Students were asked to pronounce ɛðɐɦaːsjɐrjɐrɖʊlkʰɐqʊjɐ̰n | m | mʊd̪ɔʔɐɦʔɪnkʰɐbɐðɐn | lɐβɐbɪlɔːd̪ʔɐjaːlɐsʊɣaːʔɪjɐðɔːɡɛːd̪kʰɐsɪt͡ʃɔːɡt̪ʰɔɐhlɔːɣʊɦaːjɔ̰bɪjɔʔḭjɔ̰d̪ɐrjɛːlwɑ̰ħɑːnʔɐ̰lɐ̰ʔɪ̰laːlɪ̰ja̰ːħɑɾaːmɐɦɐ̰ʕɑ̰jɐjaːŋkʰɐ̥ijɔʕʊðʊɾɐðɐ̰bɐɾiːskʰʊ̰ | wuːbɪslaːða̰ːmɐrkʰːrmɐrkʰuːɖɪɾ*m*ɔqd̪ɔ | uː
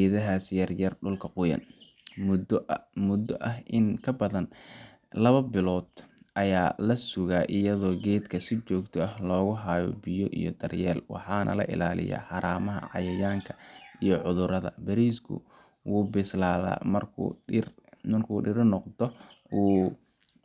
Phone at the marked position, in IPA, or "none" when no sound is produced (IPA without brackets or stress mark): n